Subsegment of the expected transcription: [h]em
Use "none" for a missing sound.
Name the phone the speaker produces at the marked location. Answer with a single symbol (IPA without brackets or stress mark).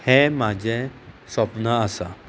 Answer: h